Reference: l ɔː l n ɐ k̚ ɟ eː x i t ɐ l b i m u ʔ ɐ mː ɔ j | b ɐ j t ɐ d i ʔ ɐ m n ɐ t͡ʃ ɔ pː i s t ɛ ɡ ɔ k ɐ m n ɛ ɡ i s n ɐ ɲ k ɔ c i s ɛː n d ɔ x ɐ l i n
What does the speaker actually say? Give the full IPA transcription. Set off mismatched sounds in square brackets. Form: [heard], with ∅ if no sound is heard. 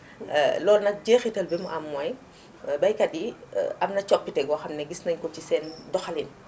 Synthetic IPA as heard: l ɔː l n ɐ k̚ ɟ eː x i t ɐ l b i m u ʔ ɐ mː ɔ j | b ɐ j [k] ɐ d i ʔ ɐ m n ɐ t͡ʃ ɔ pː i [∅] t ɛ ɡ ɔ [x] ɐ m n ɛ ɡ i s n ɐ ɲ k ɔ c i s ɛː n d ɔ x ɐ l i n